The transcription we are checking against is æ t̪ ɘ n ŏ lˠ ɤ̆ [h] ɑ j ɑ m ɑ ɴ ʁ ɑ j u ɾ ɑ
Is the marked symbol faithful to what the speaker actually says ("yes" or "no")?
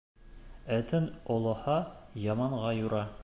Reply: yes